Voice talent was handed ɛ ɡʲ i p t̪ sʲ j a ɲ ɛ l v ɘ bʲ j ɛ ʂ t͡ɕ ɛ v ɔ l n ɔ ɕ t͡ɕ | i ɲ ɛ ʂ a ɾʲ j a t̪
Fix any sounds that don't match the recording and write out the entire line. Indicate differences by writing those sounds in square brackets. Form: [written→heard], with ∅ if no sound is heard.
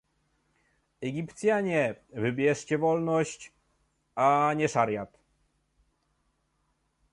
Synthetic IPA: ɛ ɡʲ i p t̪ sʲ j a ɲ ɛ [l→∅] v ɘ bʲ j ɛ ʂ t͡ɕ ɛ v ɔ l n ɔ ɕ t͡ɕ | [i→a] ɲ ɛ ʂ a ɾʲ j a t̪